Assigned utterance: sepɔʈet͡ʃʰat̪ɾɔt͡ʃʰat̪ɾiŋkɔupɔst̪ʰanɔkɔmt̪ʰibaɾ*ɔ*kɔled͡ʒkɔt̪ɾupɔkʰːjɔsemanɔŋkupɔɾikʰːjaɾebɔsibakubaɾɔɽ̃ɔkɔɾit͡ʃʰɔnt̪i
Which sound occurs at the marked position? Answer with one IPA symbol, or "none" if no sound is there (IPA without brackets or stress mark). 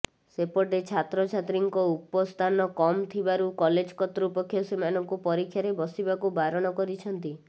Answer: u